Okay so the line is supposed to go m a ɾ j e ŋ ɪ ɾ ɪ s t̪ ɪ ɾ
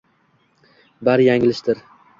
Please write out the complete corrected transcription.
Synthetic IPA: b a ɾ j a ŋ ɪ l ɪ ʃ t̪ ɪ ɾ